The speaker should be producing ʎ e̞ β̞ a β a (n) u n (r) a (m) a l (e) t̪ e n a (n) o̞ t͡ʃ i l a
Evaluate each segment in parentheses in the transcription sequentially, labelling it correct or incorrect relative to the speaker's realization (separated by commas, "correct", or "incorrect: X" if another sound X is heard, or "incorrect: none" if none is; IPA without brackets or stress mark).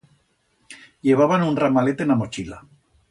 correct, correct, correct, correct, incorrect: m